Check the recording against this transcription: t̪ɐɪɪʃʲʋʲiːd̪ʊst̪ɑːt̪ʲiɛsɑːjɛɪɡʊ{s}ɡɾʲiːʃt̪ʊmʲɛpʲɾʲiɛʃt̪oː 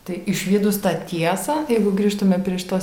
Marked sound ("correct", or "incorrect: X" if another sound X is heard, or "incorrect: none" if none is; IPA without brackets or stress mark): incorrect: none